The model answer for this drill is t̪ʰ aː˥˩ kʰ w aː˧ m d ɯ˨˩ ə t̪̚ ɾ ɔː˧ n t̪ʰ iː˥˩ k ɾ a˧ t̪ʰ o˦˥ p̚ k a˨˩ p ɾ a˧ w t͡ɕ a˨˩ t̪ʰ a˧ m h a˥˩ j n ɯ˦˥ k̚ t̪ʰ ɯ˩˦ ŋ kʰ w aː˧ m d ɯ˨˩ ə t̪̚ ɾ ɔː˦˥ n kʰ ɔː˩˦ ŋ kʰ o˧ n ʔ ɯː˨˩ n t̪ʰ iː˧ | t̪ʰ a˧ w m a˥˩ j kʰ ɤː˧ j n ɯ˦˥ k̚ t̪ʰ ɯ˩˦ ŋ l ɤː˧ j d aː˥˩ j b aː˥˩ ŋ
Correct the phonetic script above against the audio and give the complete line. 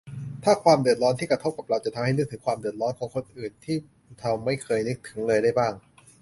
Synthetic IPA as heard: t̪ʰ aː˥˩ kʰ w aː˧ m d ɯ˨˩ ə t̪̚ ɾ ɔː˦˥ n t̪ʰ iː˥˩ k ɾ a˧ t̪ʰ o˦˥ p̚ k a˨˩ p ɾ a˧ w t͡ɕ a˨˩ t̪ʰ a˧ m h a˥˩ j n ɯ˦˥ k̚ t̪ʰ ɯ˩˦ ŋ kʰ w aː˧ m d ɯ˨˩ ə t̪̚ ɾ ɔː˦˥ n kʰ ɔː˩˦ ŋ kʰ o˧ n ʔ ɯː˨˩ n t̪ʰ iː˥˩ | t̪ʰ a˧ w m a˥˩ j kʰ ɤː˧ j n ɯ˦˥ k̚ t̪ʰ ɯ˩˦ ŋ l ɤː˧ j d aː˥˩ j b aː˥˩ ŋ